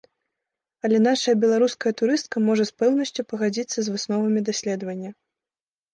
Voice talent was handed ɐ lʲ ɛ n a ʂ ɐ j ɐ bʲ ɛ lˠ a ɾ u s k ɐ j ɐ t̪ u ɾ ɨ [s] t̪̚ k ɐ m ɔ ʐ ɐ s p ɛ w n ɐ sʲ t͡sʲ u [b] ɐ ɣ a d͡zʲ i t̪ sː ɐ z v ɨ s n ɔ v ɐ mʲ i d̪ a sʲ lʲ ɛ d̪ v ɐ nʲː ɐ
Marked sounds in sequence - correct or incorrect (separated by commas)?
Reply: correct, incorrect